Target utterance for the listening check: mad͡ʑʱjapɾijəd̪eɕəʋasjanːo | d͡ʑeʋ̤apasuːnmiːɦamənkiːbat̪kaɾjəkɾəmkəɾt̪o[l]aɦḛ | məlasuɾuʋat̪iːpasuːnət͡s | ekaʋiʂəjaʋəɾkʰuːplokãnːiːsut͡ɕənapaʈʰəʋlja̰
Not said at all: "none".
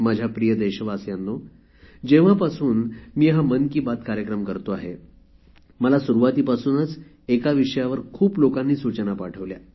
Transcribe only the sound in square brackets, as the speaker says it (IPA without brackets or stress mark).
none